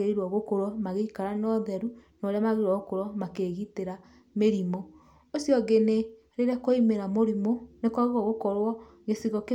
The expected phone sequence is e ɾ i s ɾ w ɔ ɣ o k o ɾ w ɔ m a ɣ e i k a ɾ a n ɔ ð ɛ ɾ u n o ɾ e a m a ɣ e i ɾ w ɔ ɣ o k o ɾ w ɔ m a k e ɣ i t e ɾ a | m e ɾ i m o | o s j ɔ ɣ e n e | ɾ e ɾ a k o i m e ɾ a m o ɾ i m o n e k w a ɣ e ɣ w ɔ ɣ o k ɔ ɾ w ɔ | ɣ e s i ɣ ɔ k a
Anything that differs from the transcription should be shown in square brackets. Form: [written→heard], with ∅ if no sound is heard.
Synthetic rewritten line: e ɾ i [s→∅] ɾ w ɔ ɣ o k o ɾ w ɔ m a ɣ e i k a ɾ a n ɔ ð ɛ ɾ u n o ɾ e a m a ɣ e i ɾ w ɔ ɣ o k o ɾ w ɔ m a k e ɣ i t e ɾ a | m e ɾ i m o | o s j ɔ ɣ e n e | ɾ e ɾ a k o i m e ɾ a m o ɾ i m o n e k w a ɣ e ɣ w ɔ ɣ o k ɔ ɾ w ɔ | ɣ e s i ɣ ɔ k [a→e]